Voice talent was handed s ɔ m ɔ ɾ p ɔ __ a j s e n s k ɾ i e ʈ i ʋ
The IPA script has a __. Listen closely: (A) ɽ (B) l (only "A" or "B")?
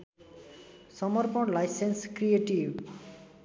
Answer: B